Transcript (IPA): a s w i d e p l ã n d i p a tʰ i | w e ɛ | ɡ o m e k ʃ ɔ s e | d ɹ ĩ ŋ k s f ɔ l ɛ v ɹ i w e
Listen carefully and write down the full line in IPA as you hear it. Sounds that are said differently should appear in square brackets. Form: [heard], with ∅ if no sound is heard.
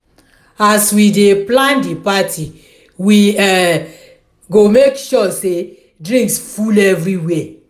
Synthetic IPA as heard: a s w i d e p l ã n d i p a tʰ i | w [i] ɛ | ɡ o m e k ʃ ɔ s e | d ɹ ĩ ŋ k s f [u] l ɛ v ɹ i w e